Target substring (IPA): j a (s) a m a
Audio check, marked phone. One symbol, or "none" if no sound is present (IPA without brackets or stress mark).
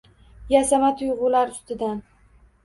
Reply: s